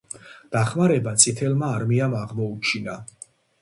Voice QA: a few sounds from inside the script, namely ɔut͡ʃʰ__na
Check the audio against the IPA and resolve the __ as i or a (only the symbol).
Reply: i